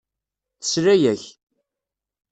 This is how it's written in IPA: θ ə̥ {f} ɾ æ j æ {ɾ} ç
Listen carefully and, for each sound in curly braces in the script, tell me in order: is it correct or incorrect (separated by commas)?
incorrect, incorrect